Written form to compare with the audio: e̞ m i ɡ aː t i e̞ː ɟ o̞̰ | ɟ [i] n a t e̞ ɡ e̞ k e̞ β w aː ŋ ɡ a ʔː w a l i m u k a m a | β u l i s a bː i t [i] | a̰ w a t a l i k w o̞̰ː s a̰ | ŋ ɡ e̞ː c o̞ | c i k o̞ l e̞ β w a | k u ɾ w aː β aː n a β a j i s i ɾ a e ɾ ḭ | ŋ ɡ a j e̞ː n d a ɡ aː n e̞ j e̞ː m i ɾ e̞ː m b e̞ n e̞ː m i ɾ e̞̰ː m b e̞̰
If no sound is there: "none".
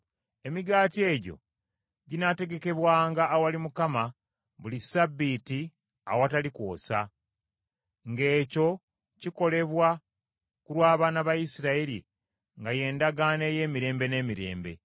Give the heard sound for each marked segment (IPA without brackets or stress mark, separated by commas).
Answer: i, i